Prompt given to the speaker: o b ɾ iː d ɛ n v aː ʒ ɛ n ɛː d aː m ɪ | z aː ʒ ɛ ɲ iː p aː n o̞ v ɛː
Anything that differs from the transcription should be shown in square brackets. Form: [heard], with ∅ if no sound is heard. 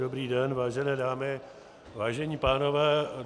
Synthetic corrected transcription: o b ɾ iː d ɛ n v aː ʒ ɛ n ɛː d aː m ɪ | [v] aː ʒ ɛ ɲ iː p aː n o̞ v ɛː